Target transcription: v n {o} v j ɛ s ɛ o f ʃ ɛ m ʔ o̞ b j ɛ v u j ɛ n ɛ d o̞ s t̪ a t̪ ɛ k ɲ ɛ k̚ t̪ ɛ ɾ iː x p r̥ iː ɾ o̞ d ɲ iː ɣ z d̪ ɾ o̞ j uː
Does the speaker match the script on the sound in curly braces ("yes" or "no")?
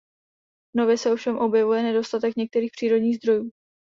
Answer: yes